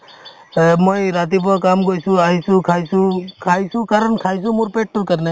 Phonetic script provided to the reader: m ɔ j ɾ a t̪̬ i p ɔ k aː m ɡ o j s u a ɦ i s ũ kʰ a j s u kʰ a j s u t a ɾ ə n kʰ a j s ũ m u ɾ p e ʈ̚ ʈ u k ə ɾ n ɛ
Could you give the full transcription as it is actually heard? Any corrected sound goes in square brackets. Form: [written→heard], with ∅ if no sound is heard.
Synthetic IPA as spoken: m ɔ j ɾ a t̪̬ i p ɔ k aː m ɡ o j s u a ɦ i s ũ kʰ a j s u kʰ a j s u [t→k] a ɾ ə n kʰ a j s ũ m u ɾ p e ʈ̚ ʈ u k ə ɾ n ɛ